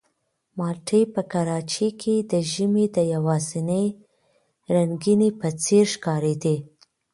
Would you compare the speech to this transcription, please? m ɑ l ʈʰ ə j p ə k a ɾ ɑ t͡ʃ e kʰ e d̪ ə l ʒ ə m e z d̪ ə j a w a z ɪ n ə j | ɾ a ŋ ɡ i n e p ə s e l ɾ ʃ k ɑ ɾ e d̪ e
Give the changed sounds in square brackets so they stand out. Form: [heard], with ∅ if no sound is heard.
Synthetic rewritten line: m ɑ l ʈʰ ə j p ə k a ɾ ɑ t͡ʃ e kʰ e d̪ ə [∅] ʒ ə m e [∅] d̪ ə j a w [ɑ] z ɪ n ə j | ɾ a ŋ ɡ i n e p ə [t͡s] e [∅] ɾ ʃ k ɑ ɾ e d̪ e